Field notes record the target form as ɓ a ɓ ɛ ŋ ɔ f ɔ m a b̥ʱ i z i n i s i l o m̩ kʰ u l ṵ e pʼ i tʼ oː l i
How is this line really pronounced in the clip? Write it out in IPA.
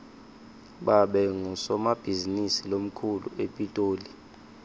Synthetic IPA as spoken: ɓ a ɓ ɛ ŋ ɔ s ɔ m a b̥ʱ i z i n i s i l o m̩ kʰ u l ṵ e pʼ i tʼ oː l i